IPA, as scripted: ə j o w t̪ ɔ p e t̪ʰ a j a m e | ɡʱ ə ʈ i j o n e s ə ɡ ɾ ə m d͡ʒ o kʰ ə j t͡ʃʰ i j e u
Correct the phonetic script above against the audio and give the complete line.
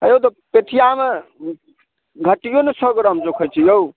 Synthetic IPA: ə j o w t̪ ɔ p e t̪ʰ i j a m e | ɡʱ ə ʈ i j o n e s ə ɡ ɾ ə m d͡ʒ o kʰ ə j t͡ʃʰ i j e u